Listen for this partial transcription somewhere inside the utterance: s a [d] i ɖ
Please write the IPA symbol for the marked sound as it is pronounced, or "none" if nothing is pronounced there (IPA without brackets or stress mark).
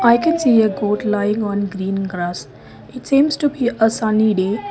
n